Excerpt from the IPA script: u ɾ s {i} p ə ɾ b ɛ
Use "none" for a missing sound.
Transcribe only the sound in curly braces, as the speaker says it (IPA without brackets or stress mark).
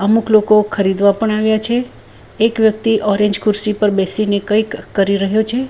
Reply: i